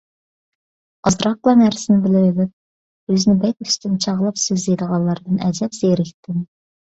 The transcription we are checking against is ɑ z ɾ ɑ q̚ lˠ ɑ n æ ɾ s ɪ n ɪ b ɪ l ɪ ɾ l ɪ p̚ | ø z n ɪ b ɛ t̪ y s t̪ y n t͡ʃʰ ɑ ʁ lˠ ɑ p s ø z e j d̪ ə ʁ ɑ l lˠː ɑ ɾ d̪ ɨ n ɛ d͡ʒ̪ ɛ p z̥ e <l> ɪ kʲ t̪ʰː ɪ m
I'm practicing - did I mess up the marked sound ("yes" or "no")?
yes